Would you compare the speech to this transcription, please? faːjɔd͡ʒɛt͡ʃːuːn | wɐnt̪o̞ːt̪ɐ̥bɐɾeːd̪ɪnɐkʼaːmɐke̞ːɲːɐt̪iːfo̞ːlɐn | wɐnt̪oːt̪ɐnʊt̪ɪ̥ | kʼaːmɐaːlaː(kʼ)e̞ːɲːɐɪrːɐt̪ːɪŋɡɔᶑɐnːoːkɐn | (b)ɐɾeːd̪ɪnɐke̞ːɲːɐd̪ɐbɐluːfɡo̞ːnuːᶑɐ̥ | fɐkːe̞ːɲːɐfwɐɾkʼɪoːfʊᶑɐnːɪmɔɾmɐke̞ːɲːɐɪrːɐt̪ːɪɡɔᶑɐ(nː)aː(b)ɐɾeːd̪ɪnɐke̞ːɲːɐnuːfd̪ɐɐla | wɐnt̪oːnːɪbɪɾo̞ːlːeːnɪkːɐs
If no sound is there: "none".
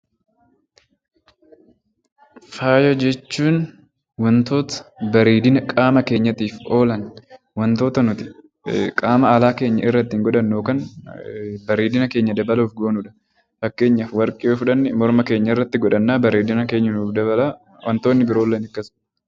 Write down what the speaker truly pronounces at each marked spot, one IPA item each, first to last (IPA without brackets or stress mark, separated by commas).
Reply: k, b, nː, b